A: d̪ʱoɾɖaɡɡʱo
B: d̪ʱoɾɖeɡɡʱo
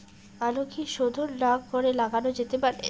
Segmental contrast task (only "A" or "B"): A